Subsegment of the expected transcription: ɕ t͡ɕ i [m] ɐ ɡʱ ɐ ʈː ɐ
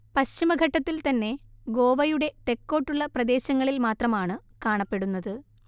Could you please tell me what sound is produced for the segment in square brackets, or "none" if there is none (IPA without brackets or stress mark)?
m